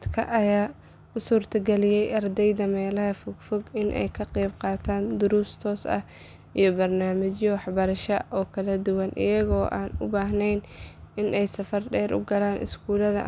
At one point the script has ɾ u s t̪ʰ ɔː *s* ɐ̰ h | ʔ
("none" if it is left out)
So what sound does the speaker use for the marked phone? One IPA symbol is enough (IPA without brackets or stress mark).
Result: s